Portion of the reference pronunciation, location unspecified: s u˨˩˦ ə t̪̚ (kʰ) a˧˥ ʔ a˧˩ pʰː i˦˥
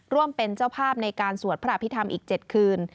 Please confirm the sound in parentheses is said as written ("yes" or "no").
no